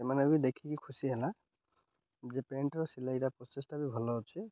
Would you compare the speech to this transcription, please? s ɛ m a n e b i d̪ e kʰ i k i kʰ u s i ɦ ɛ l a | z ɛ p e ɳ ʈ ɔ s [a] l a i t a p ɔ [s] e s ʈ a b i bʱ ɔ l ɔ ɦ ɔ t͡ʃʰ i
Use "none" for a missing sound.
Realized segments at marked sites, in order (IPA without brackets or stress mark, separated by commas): i, s